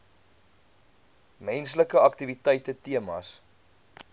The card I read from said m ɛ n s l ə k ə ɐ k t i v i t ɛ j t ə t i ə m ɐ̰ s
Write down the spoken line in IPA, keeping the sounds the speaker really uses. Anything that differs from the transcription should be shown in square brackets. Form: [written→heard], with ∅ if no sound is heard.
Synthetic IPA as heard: m ɛ n s l ə k ə ɐ k t i v i t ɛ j t ə t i ə m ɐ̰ s